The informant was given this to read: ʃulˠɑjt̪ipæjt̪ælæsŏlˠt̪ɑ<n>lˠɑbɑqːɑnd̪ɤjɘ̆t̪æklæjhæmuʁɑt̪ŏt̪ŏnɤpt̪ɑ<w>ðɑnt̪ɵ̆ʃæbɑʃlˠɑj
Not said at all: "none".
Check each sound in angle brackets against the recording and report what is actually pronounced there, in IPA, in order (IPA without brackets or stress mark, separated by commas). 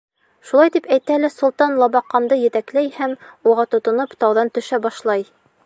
n, w